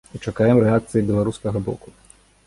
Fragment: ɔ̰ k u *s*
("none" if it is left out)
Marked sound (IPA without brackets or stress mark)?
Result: none